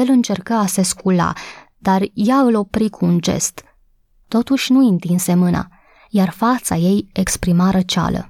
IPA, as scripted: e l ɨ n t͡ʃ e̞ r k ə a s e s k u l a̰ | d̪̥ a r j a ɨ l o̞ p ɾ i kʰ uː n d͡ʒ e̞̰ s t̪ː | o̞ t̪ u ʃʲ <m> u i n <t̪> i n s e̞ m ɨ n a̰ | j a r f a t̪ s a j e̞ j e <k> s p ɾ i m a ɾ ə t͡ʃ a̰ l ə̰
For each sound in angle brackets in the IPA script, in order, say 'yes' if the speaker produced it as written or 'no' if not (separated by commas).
no, yes, yes